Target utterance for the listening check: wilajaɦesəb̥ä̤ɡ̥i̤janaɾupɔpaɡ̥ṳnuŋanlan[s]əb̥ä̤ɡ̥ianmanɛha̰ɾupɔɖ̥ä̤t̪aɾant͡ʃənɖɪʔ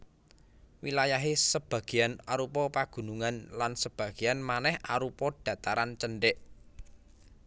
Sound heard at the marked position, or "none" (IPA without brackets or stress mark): s